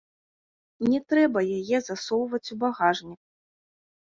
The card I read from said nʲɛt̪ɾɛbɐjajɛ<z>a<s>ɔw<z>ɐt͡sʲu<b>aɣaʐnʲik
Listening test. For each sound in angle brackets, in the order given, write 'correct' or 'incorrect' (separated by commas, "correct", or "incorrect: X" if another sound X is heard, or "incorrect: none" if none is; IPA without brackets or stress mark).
correct, correct, incorrect: v, correct